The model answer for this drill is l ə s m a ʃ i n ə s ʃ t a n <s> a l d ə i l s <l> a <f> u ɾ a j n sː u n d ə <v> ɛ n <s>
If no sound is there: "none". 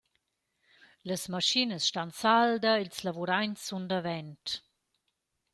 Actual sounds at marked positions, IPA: s, l, v, v, t

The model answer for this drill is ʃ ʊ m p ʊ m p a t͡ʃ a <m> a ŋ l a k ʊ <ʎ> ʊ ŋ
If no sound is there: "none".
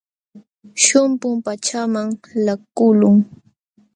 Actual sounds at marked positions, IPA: m, l

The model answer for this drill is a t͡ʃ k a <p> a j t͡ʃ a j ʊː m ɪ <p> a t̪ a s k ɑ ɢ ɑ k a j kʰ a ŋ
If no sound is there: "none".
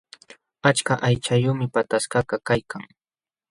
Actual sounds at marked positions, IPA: ʔ, p

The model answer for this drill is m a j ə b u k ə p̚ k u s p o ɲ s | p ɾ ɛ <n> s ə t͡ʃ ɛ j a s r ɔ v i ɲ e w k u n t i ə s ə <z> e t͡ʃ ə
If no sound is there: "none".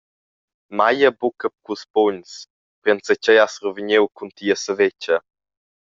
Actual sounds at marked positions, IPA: n, v

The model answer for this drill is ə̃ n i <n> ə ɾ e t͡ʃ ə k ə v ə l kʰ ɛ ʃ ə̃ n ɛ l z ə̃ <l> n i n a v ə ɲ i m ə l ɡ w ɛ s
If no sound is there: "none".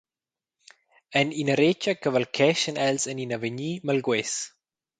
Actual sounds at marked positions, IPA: n, none

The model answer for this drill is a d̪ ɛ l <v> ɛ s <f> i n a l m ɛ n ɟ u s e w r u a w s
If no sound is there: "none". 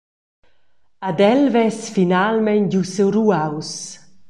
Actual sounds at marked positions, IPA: v, f

